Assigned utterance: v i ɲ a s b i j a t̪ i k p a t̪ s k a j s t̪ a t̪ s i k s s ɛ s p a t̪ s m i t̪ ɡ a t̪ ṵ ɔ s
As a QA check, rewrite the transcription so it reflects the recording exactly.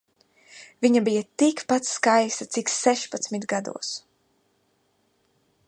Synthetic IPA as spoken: v i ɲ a b i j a t̪ i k p a t̪ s k a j s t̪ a t̪ s i k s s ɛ ʃ p a t̪ s m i t̪ ɡ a d̪ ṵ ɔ s